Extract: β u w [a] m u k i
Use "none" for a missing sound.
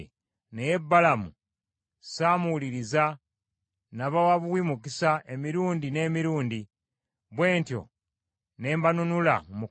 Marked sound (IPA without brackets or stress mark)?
i